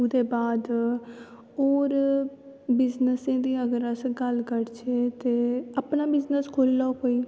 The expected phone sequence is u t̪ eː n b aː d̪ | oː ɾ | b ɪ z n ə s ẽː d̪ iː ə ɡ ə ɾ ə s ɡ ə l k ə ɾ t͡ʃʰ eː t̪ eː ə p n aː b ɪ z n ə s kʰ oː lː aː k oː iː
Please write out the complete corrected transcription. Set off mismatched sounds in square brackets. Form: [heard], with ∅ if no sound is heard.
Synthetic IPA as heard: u [d̪] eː [∅] b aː d̪ | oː ɾ | b ɪ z n ə s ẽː d̪ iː ə ɡ ə ɾ ə s ɡ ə l k ə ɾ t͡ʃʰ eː t̪ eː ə p n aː b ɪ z n ə s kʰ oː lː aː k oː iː